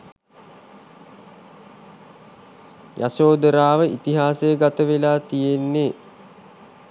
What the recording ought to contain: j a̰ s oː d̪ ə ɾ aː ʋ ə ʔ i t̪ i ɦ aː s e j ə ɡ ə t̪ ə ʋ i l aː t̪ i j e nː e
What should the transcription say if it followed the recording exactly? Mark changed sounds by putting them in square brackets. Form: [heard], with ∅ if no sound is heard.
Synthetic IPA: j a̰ s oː d̪ ə ɾ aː ʋ ə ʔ i t̪ i ɦ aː s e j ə ɡ [a] t̪ ə ʋ [e] l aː t̪ i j e nː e